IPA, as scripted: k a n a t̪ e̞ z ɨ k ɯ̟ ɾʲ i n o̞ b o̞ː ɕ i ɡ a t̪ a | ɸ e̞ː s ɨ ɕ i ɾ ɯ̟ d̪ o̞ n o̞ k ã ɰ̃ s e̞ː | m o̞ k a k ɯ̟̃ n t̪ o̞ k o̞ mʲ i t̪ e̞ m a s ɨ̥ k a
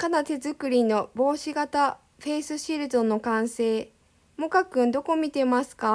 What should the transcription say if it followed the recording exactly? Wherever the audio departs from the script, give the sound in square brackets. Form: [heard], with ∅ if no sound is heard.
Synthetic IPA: k a n a t̪ e̞ z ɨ k ɯ̟ ɾʲ i n o̞ b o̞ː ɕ i ɡ a t̪ a | ɸ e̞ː s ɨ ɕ i ɾ ɯ̟ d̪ o̞ n o̞ k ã ɰ̃ s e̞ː | m o̞ k a k ɯ̟̃ n [d̪] o̞ k o̞ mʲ i t̪ e̞ m a s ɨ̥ k a